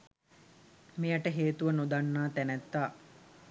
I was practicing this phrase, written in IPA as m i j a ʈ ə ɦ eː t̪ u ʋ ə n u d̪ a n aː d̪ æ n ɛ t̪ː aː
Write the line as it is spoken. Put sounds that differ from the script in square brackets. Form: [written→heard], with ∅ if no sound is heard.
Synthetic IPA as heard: m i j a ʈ ə ɦ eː t̪ u ʋ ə n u d̪ a [n→nː] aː [d̪→t̪] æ n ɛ t̪ː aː